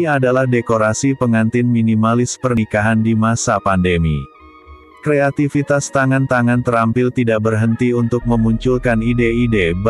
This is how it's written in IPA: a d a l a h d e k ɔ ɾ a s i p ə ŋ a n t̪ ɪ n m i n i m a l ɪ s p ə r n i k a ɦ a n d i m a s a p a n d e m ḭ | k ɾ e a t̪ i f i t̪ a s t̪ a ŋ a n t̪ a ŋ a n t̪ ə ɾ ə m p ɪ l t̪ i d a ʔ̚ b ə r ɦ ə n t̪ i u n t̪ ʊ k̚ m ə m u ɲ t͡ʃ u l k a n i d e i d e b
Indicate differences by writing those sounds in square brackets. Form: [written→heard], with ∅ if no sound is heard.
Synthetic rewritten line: a d a l a h d e k [ɔ→o] ɾ a s i p ə ŋ a n t̪ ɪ n m i n i m a l ɪ s p ə r n i k a ɦ a n d i m a s a p a n d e m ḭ | k ɾ e a t̪ i f i t̪ a s t̪ a ŋ a n t̪ a ŋ a n t̪ ə ɾ [ə→a] m p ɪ l t̪ i d a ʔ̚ b ə r ɦ ə n t̪ i u n t̪ ʊ k̚ m ə m u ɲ t͡ʃ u l k a n i d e i d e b